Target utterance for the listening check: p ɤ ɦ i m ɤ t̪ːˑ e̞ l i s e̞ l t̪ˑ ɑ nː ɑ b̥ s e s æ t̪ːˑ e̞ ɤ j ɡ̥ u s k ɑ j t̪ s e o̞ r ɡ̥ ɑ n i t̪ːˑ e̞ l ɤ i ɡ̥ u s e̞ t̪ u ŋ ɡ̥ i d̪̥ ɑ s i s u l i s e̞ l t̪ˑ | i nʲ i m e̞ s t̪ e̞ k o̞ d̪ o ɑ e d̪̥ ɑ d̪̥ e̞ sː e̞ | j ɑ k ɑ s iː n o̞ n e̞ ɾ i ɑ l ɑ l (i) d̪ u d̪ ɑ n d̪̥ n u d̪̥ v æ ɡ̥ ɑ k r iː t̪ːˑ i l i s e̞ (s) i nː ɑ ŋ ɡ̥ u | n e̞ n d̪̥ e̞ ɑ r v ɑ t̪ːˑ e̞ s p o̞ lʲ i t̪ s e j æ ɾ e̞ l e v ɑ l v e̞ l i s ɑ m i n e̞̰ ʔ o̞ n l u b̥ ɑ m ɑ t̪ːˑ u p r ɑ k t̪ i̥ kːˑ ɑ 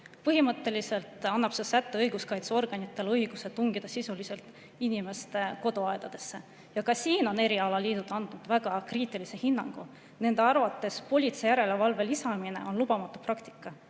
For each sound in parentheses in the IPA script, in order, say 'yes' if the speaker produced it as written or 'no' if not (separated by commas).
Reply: no, no